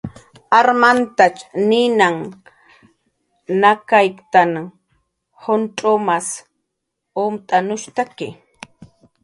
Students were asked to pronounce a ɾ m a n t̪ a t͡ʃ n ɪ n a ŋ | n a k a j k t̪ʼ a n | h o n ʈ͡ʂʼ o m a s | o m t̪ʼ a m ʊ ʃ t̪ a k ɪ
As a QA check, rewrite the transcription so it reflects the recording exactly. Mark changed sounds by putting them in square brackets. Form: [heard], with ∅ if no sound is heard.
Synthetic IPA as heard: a ɾ m a n t̪ a t͡ʃ n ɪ n a ŋ | n a k a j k [t̪] a n | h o n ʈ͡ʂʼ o m a s | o m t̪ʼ a [n] ʊ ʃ t̪ a k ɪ